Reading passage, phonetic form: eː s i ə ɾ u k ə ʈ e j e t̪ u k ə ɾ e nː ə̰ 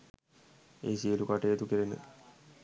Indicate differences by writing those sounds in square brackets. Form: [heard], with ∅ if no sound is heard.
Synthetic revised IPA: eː s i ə [l] u k [a] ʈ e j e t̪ u k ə ɾ e [n] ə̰